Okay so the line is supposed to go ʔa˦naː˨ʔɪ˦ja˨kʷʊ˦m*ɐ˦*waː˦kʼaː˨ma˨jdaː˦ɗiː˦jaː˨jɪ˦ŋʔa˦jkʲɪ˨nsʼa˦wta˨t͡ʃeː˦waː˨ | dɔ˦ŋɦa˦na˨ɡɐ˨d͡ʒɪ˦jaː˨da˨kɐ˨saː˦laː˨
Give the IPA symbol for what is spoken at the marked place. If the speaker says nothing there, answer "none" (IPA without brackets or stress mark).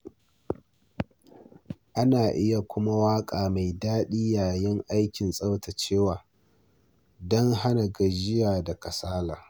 a˦